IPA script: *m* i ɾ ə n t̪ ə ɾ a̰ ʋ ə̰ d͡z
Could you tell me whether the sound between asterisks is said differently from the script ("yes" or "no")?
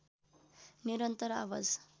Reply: yes